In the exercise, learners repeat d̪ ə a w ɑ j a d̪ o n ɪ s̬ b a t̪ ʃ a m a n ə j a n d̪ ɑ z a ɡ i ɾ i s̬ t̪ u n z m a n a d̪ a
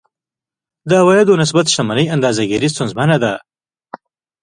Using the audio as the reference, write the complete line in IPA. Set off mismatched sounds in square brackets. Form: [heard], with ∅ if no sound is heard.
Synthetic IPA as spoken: d̪ ə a w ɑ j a d̪ o n ɪ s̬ b a t̪ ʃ a m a n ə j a n d̪ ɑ z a ɡ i ɾ i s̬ t̪ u n z m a n a d̪ a